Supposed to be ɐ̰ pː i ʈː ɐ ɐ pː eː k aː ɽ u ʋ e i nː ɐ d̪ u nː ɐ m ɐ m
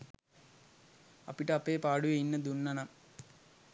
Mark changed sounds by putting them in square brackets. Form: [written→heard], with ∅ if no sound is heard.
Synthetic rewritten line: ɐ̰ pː i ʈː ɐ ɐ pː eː [k→p] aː ɽ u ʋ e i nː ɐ d̪ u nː ɐ [m→n] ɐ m

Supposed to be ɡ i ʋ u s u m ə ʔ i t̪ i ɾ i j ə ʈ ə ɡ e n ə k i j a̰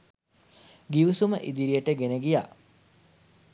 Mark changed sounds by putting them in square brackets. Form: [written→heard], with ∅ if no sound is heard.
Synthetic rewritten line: ɡ i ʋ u s u m ə ʔ i [t̪→d̪] i ɾ i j ə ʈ ə ɡ e n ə [k→ɡ] i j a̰

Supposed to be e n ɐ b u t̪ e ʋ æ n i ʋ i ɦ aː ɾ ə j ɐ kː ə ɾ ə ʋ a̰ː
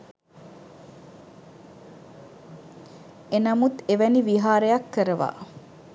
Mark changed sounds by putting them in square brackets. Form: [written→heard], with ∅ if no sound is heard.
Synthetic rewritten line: e n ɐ [b→m] u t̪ e ʋ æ n i ʋ i ɦ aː ɾ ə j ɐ kː ə ɾ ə ʋ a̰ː

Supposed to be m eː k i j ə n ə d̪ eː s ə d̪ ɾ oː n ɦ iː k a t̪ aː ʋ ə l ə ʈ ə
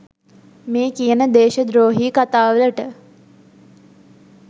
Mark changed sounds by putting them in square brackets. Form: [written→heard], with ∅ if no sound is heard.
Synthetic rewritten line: m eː k i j ə n ə d̪ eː [s→ʃ] ə d̪ ɾ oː [n→∅] ɦ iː k a t̪ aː ʋ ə l ə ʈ ə

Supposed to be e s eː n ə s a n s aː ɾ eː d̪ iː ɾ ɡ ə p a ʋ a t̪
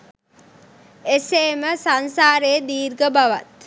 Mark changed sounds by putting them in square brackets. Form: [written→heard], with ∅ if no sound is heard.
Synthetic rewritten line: e s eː [n→m] ə s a n s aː ɾ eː d̪ iː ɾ ɡ ə [p→b] a ʋ a t̪

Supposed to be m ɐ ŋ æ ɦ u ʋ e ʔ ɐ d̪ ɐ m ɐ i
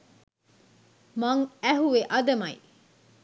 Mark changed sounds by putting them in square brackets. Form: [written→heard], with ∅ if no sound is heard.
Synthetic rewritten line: m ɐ ŋ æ ɦ u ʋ e ʔ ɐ d̪ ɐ m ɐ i

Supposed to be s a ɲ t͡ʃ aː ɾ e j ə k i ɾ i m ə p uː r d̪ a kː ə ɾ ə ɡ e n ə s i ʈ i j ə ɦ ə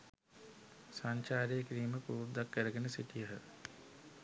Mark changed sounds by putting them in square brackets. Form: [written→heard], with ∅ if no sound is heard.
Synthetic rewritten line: s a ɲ t͡ʃ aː ɾ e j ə k i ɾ [i→iː] m ə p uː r d̪ a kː ə ɾ ə ɡ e n ə s i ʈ i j ə ɦ ə

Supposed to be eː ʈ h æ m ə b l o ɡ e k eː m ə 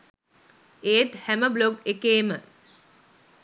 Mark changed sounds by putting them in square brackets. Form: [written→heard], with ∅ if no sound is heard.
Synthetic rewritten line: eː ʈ h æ m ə b l o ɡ e k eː m ə

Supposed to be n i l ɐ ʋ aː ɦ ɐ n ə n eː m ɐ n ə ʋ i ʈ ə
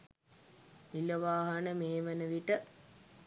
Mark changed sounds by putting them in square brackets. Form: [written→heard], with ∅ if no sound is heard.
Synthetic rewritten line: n i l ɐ ʋ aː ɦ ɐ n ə [n→m] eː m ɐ n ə ʋ i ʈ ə

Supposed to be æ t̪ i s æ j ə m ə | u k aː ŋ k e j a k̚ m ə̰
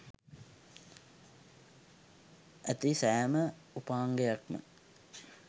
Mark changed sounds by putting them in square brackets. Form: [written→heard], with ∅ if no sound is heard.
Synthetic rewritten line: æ t̪ i s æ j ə m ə | u [k→p] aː ŋ [k→ɡ] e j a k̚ m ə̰

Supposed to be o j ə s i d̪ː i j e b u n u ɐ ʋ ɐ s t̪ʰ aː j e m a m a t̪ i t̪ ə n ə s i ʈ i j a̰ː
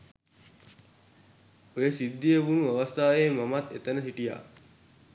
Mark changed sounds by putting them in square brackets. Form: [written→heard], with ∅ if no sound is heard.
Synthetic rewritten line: o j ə s i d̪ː i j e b u n u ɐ ʋ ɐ s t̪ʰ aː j e m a m a t̪ [i→e] t̪ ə n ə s i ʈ i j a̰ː

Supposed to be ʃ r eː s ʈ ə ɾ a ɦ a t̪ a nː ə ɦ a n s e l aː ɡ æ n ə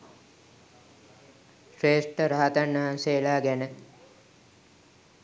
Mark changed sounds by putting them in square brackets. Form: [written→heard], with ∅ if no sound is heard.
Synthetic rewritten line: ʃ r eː s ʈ ə ɾ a ɦ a t̪ a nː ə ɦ a n s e l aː ɡ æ n ə

